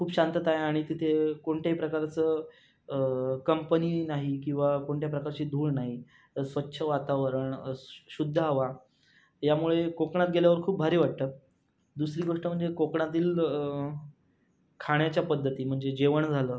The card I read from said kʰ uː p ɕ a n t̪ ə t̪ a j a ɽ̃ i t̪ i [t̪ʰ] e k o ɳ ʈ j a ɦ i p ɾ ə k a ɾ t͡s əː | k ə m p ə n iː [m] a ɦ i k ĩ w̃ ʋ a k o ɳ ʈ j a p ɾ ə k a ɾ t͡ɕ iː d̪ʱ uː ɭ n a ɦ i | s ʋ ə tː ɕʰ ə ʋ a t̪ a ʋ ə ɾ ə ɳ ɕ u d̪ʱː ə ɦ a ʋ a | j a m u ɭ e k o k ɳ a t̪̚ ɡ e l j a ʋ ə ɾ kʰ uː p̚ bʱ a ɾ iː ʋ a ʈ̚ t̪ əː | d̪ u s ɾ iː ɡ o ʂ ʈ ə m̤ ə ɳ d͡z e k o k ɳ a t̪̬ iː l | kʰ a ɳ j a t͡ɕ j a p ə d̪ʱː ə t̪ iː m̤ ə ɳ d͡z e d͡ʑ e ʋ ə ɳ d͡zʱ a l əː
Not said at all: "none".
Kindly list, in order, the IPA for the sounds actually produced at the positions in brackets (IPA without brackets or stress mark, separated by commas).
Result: t̪ʰ, n